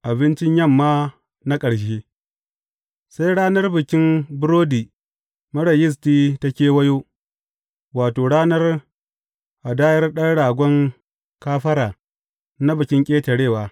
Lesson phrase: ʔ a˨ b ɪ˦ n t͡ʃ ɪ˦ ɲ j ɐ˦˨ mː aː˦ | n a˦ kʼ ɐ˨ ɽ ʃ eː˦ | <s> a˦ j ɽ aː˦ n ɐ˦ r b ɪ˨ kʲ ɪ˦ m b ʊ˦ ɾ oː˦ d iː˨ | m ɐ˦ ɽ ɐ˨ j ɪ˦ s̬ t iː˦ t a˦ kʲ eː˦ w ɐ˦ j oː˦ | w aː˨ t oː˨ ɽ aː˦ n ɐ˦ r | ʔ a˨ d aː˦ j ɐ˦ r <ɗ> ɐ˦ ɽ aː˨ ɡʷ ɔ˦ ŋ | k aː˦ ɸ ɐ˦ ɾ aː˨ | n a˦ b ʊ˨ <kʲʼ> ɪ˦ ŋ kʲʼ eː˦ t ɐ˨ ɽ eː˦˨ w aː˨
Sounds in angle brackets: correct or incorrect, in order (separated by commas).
correct, correct, incorrect